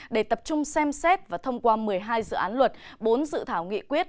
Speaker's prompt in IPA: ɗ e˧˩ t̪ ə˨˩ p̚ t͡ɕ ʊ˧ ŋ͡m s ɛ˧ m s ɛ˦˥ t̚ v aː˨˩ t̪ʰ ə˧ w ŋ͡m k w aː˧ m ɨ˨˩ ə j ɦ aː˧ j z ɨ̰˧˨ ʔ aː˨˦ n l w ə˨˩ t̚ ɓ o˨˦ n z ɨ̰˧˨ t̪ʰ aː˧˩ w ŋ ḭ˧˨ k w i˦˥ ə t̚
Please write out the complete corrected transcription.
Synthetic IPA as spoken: ɗ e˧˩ t̪ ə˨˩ p̚ t͡ɕ ʊ˧ ŋ͡m s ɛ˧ m s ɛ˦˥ t̚ v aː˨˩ t̪ʰ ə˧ w ŋ͡m k w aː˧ m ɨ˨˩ ə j ɦ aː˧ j z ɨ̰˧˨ ʔ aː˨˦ n l w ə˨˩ t̚ ɓ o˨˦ n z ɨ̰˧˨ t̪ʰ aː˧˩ w ŋ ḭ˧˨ k w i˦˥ ə t̚

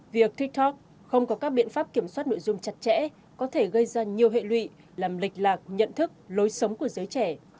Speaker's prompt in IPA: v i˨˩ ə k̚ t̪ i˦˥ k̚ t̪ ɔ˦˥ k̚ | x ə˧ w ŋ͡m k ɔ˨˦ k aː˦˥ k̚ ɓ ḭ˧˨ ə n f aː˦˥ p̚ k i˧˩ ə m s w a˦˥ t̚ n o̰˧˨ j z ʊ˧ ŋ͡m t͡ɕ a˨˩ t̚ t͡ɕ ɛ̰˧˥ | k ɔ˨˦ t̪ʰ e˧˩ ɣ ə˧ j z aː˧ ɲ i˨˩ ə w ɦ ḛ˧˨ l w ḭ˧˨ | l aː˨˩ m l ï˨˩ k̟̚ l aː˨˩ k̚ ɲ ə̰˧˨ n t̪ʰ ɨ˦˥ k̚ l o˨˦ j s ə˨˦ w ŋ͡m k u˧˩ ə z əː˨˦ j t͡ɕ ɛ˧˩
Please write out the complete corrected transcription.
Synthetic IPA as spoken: v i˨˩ ə k̚ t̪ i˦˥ k̚ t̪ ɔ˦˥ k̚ | x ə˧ w ŋ͡m k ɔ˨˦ k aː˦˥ k̚ ɓ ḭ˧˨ ə n f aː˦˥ p̚ k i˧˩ ə m s w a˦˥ t̚ n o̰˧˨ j z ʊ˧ ŋ͡m t͡ɕ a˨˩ t̚ t͡ɕ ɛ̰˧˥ | k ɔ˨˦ t̪ʰ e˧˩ ɣ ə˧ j z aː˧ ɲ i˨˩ ə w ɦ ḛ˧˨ l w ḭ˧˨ | l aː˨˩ m l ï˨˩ k̟̚ l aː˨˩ k̚ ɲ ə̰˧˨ n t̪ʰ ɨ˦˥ k̚ l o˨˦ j s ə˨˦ w ŋ͡m k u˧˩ ə z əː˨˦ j t͡ɕ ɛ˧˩

